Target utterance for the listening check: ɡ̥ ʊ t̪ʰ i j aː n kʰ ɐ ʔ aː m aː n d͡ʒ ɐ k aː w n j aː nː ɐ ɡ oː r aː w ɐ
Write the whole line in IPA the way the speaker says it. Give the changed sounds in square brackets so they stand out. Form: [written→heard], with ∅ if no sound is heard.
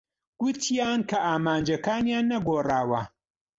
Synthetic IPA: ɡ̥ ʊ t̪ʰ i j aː n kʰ ɐ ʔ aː m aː n d͡ʒ ɐ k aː [w→∅] n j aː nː ɐ ɡ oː r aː w ɐ